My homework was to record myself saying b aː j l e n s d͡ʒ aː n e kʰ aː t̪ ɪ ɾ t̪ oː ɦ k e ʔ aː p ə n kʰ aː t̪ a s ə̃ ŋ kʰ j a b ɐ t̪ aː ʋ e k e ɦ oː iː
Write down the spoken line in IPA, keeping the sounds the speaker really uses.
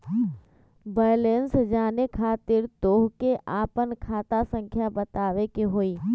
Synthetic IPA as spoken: b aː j l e n s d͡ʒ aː n e kʰ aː t̪ ɪ ɾ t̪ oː ɦ k e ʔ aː p ə n kʰ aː t̪ a s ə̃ ŋ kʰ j a b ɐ t̪ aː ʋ e k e ɦ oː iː